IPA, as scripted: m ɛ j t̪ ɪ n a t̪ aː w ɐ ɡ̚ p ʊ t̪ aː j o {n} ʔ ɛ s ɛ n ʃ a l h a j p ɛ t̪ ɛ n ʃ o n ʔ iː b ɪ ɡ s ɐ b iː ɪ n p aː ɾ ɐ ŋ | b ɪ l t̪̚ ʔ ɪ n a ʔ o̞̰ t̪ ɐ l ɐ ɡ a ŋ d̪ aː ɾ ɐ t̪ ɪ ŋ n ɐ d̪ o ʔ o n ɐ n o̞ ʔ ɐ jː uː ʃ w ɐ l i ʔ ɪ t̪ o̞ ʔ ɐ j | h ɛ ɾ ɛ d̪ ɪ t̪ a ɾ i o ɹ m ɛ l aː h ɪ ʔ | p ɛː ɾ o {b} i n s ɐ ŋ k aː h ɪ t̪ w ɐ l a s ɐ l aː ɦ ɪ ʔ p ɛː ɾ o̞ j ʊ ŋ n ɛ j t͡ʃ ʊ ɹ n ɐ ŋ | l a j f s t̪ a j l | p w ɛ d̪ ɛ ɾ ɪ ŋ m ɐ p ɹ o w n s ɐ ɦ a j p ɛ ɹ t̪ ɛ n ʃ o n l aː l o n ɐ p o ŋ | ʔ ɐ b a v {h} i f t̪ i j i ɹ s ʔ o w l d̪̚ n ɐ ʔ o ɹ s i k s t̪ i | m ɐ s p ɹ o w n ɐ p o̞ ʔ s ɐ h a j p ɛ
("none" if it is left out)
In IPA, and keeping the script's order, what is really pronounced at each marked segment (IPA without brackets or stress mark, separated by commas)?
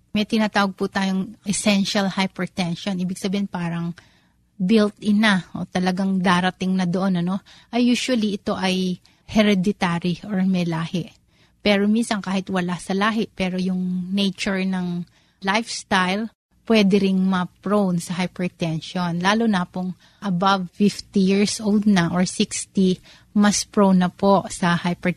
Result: ŋ, m, f